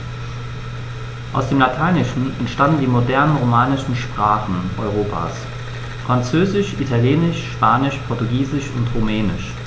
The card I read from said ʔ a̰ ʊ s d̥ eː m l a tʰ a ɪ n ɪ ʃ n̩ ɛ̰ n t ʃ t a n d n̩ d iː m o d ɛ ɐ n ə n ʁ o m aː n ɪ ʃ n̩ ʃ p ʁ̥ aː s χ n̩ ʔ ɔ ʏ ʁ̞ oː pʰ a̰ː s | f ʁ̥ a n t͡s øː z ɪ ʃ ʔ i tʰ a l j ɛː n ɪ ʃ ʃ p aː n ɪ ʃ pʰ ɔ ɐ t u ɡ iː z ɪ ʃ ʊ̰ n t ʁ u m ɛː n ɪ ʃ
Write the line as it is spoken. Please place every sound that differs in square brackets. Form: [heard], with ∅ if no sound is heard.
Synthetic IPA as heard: ʔ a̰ ʊ s d̥ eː m l a tʰ a ɪ n ɪ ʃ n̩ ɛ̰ n t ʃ t a n d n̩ d iː m o d ɛ ɐ n ə n ʁ o m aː n ɪ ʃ n̩ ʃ p ʁ̥ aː [∅] χ n̩ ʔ ɔ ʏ ʁ̞ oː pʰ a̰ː s | f ʁ̥ a n t͡s øː z ɪ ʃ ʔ i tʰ a l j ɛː n ɪ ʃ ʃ p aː n ɪ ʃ pʰ ɔ ɐ t u ɡ iː z ɪ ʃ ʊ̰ n t ʁ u m ɛː n ɪ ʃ